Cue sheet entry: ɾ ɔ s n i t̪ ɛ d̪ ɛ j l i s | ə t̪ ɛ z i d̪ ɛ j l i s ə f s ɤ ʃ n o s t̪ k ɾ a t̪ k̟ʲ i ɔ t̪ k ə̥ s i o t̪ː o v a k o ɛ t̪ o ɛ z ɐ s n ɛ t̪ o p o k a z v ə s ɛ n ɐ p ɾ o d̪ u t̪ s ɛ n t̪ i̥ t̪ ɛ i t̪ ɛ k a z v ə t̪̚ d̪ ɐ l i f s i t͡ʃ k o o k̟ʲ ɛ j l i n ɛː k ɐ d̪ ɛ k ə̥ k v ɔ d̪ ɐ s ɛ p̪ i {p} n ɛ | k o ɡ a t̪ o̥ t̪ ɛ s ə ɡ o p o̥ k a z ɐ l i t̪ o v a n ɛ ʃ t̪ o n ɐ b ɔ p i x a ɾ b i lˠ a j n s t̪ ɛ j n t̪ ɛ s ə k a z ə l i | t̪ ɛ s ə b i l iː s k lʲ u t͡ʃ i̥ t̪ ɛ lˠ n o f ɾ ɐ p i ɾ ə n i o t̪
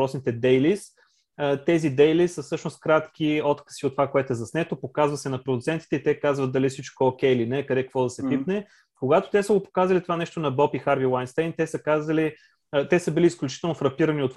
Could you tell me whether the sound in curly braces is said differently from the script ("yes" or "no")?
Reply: no